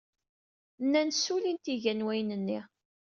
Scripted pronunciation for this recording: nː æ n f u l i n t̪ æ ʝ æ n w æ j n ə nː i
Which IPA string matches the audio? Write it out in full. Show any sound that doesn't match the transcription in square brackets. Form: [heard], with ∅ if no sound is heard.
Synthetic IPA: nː æ n [s] u l i n t̪ [i] ʝ æ n w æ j n ə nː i